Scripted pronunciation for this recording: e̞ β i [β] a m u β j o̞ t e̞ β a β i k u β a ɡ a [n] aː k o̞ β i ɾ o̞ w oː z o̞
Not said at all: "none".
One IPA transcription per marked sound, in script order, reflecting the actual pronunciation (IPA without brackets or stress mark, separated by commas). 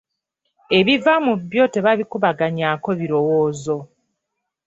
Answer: v, ɲ